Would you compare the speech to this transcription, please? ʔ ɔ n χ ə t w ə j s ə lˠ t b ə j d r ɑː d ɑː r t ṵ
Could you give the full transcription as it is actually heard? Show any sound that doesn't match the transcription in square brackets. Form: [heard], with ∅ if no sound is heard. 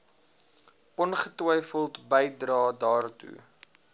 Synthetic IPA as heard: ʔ ɔ n χ ə t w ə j [f] ə lˠ t b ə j d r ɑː d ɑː r t ṵ